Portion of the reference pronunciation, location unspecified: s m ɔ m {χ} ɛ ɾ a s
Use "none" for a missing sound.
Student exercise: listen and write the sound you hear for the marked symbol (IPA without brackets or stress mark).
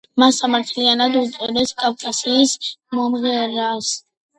ʁ